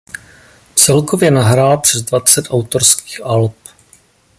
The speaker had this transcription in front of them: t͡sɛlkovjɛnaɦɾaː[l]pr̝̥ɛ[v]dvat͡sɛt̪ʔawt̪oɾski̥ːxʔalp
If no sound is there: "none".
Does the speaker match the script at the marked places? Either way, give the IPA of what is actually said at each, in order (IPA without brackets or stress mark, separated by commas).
l, z